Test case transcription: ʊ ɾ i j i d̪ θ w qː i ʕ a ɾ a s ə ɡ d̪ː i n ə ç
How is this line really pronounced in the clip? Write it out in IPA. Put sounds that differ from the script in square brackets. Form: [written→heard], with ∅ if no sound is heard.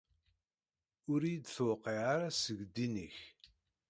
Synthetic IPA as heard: ʊ ɾ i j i d̪ θ w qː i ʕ a ɾ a s ə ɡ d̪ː i n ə ç

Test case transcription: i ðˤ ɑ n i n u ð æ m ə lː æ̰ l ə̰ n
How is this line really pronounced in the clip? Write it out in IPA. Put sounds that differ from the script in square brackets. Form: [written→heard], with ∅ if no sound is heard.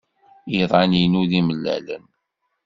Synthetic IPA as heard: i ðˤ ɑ n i n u ð [æ→i] m ə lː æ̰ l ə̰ n

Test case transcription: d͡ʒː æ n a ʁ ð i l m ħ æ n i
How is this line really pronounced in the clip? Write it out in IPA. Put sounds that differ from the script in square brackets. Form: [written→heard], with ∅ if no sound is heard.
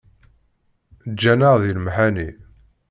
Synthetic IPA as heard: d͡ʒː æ n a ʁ ð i l m ħ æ n i

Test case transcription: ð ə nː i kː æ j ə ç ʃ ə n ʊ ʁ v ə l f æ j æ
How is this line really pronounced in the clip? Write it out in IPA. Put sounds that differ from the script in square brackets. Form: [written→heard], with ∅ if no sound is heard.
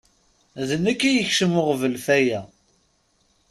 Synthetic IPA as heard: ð ə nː [i→æ] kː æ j ə ç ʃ ə [n→m] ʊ ʁ v ə l f æ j æ

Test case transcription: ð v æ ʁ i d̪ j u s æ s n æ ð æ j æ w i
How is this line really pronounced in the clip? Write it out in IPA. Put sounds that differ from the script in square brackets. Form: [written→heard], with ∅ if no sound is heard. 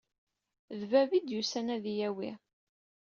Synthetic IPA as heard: ð v æ [ʁ→v] i d̪ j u s æ [s→∅] n æ ð [æ→i] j æ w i

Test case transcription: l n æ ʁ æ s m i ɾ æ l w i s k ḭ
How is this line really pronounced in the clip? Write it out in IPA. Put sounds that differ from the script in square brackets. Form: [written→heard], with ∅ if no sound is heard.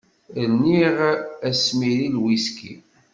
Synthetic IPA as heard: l n [æ→i] ʁ æ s m i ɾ [æ→i] l w i s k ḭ

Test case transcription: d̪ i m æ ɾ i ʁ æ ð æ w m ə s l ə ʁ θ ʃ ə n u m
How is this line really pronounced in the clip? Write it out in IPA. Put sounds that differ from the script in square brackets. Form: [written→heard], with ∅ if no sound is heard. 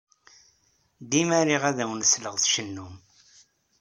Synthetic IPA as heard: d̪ i m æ ɾ i ʁ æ ð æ w [m→n] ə s l ə ʁ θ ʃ ə [n→nː] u m

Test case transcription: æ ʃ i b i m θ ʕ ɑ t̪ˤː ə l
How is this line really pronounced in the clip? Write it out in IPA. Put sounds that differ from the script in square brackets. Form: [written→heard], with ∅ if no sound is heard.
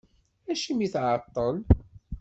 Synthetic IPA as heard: æ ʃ i [b→m] i [m→∅] θ ʕ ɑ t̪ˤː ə l

